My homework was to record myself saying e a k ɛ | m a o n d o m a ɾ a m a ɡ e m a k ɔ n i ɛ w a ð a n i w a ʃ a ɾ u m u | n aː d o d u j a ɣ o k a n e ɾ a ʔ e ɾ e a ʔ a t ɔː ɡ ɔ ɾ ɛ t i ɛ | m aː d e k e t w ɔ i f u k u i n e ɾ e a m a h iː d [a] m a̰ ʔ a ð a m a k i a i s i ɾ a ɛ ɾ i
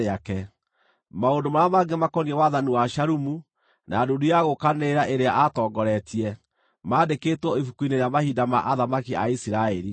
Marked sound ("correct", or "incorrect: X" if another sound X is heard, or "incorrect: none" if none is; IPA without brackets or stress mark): correct